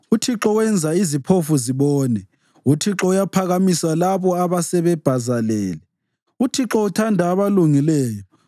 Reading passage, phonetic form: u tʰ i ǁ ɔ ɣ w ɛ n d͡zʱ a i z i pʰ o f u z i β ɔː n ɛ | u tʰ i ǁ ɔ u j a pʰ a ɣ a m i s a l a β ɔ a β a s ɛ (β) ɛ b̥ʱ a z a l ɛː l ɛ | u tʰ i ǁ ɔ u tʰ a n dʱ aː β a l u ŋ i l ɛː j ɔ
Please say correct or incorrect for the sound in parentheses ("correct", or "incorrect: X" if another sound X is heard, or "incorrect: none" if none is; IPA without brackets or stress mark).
correct